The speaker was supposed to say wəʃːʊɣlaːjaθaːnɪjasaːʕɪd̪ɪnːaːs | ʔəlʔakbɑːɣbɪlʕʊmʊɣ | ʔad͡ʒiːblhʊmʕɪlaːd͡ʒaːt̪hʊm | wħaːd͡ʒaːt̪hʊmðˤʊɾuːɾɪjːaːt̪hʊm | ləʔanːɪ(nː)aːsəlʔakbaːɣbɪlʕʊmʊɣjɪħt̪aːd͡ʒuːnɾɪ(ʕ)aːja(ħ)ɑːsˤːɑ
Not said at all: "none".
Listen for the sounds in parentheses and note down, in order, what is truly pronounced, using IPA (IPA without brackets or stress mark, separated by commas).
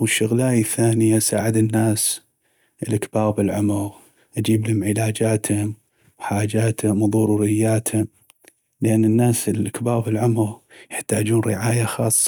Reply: nː, ʕ, x